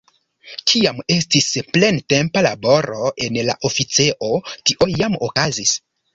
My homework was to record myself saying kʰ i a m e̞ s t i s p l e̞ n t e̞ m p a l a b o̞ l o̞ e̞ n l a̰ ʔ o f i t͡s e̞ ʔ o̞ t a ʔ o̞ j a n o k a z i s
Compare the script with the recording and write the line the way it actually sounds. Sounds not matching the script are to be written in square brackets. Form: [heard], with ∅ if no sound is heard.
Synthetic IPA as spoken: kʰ i a m e̞ s t i s p l e̞ n t e̞ m p a l a b o̞ [ɾ] o̞ e̞ n l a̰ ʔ o f i t͡s e̞ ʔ o̞ t [i] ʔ o̞ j a [m] o k a z i s